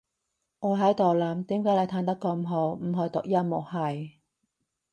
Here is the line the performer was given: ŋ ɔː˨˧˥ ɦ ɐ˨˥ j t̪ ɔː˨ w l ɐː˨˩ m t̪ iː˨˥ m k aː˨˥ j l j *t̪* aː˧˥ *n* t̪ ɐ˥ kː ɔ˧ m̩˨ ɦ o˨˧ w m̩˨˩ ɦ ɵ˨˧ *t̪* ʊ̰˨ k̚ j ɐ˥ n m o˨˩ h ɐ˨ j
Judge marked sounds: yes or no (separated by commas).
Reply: no, yes, yes